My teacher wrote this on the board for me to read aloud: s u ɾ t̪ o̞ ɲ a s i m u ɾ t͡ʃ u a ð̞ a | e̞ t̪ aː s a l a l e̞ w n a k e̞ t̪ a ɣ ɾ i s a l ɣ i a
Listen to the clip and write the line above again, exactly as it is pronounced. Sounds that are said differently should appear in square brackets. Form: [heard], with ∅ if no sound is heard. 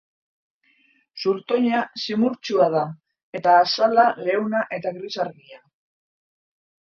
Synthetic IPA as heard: s u ɾ t̪ o̞ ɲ a s i m u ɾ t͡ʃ u a ð̞ a | e̞ t̪ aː s a l a l e̞ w n a [ʔ] e̞ t̪ a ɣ ɾ i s a [ɾ] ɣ i a